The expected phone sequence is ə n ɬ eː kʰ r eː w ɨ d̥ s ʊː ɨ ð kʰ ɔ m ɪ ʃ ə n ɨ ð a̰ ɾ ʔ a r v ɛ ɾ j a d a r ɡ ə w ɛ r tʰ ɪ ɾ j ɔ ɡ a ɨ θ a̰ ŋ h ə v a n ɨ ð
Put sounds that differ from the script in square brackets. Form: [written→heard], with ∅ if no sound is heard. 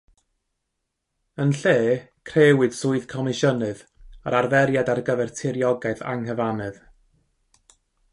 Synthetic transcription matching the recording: ə n ɬ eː kʰ r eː w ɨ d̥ s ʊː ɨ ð kʰ ɔ m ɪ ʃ ə n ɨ ð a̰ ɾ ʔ a r v ɛ ɾ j a d a r ɡ ə [w→v] ɛ r tʰ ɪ ɾ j ɔ ɡ a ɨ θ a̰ ŋ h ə v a n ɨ ð